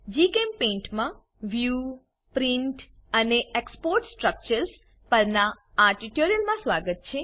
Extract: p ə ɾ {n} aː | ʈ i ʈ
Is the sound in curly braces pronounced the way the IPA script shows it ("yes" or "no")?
yes